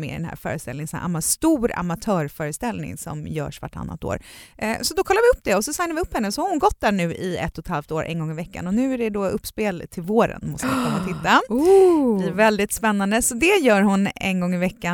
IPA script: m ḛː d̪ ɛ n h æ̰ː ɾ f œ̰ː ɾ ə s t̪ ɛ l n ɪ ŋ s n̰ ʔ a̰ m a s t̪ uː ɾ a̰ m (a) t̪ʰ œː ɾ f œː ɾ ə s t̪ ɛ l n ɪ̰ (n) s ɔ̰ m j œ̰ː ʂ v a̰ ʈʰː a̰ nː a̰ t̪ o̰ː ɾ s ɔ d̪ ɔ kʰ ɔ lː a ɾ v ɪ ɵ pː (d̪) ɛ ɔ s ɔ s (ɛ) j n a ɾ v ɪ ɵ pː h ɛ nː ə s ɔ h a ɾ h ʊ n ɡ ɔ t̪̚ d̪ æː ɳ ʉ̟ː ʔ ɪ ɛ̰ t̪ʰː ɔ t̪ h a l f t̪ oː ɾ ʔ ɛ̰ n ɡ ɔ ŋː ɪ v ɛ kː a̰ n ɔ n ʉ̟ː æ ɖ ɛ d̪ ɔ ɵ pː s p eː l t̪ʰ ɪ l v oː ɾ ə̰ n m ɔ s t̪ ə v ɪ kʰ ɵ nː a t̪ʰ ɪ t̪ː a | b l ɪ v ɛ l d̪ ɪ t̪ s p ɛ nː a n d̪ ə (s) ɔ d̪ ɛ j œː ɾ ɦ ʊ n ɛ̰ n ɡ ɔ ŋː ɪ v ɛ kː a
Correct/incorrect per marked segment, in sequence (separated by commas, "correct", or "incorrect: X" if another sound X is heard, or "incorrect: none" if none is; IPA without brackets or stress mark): correct, incorrect: ŋ, correct, incorrect: a, correct